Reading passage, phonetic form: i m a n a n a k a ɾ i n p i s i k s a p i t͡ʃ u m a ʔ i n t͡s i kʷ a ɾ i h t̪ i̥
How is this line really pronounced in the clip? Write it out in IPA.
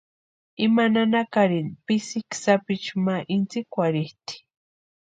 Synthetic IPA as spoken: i m a n a n a k a ɾ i n p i s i k s a p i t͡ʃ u m a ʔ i n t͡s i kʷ a ɾ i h t̪ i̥